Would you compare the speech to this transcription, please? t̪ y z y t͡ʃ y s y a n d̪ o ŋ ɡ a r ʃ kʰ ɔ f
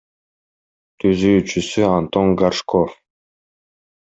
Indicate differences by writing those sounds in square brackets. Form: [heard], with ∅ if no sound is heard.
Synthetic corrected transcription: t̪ y z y t͡ʃ y s y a n [t̪] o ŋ ɡ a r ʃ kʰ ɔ f